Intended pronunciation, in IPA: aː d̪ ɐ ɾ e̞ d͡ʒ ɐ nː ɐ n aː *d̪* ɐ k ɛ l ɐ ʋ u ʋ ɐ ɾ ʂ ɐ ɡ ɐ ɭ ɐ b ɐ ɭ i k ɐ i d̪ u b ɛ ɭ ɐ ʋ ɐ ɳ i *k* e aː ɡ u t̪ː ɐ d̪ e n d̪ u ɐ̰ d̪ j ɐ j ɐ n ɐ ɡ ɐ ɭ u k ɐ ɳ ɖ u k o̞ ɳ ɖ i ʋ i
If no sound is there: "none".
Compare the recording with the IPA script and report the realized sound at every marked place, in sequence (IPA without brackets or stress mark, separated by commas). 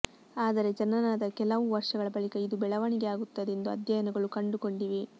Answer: d̪, ɡ